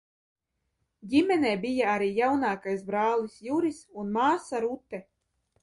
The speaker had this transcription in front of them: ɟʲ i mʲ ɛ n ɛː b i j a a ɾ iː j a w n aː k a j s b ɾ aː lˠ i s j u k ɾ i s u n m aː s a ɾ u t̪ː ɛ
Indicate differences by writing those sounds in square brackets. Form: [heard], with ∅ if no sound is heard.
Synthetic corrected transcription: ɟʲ i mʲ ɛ n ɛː b i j a a ɾ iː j a w n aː k a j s b ɾ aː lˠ i s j u [∅] ɾ i s u n m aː s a ɾ u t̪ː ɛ